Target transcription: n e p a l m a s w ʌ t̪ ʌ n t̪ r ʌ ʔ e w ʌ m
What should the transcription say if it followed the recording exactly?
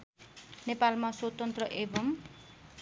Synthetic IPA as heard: n e p a l m a s w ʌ t̪ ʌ n t̪ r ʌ ʔ e b ʌ m